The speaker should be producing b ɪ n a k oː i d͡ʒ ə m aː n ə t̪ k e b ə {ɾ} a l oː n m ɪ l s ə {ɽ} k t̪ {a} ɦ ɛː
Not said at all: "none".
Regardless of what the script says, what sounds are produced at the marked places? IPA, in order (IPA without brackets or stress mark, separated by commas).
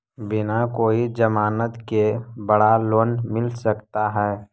ɽ, none, a